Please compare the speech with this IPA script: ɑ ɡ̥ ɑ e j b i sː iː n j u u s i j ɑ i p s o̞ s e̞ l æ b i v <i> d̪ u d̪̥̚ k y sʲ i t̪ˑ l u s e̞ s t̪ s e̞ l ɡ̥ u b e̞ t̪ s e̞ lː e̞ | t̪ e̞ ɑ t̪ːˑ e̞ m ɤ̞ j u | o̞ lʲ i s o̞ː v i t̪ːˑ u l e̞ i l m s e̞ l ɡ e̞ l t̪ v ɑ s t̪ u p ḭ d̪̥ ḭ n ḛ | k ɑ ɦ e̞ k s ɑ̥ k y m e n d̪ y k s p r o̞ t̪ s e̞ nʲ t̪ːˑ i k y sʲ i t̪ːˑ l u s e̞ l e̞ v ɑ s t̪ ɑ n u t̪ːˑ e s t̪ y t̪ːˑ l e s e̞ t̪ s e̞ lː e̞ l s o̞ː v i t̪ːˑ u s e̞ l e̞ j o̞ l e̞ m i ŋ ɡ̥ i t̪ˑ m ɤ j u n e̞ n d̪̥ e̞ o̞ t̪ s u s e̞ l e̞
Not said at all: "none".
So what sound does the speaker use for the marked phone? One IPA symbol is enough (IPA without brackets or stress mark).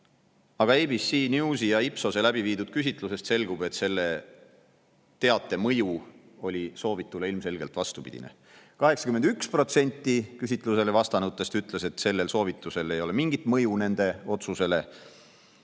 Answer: iː